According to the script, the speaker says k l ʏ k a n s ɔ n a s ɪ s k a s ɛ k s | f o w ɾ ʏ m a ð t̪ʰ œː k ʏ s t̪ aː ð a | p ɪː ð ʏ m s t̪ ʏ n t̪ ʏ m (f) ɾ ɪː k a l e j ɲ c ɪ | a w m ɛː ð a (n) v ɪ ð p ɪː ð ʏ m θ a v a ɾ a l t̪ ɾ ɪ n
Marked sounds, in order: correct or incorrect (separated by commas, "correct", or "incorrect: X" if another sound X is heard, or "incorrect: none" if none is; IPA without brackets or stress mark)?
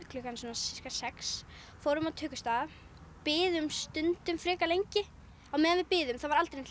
correct, correct